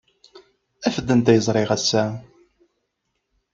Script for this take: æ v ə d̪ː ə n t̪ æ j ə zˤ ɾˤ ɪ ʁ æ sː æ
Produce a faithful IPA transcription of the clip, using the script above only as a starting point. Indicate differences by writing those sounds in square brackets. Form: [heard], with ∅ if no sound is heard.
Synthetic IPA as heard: æ [f] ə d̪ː ə n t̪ æ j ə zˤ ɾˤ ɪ ʁ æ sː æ